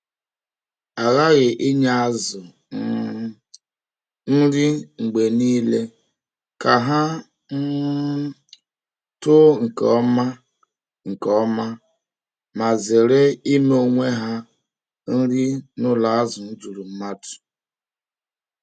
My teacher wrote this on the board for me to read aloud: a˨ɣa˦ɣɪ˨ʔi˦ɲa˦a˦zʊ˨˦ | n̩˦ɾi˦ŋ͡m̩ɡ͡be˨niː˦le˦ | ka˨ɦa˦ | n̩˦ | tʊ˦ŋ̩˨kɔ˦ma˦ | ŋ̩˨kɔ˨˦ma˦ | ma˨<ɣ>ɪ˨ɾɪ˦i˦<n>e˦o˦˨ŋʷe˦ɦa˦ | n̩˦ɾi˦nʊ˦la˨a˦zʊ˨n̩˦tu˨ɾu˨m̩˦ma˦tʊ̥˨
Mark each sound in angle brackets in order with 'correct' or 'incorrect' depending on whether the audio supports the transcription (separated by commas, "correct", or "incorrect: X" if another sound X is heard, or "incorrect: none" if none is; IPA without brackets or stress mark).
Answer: incorrect: z, incorrect: m